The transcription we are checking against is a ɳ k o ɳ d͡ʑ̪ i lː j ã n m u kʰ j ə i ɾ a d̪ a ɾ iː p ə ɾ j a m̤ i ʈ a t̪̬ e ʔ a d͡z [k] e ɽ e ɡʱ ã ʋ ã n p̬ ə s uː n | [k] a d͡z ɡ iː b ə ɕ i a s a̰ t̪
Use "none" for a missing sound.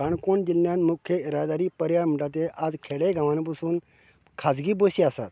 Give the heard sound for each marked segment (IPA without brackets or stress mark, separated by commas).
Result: kʰ, kʰ